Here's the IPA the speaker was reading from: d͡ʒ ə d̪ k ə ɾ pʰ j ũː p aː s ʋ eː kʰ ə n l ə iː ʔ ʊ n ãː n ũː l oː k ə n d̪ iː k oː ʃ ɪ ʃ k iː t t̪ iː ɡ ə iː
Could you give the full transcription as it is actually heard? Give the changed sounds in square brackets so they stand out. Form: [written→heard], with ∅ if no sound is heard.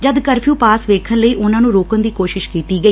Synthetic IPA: d͡ʒ ə d̪ k ə ɾ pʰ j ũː p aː s ʋ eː kʰ ə n l ə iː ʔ ʊ n ãː n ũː [l→ɾ] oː k ə n d̪ iː k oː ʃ ɪ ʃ k iː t t̪ iː ɡ ə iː